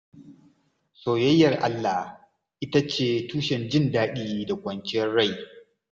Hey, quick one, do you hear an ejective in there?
no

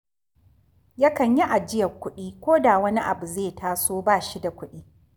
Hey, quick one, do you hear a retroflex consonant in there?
no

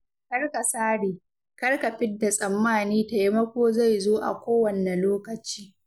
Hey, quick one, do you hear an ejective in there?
yes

